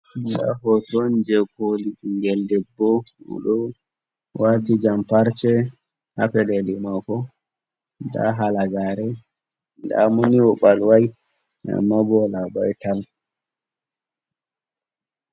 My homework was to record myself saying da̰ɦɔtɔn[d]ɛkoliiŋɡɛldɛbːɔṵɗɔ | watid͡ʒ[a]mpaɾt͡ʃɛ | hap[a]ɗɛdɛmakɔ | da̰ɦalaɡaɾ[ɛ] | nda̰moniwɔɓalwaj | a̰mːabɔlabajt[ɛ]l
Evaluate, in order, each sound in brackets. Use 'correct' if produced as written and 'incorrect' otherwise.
incorrect, correct, incorrect, correct, incorrect

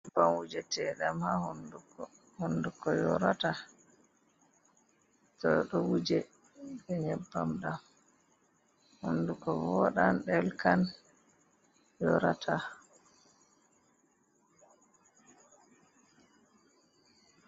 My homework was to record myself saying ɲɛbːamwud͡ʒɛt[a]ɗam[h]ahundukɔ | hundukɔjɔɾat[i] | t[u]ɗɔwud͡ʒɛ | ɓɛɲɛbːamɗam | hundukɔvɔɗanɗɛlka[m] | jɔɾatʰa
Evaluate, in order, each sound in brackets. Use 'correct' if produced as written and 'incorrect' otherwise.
incorrect, correct, incorrect, incorrect, incorrect

